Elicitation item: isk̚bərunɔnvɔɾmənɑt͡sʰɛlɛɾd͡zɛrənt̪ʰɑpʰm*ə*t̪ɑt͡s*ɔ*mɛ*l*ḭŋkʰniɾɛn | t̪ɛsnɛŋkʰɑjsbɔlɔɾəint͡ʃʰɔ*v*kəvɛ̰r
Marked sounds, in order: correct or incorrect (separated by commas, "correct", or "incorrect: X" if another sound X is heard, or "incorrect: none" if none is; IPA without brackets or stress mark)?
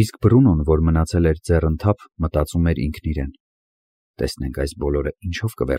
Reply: correct, incorrect: u, incorrect: ɾ, correct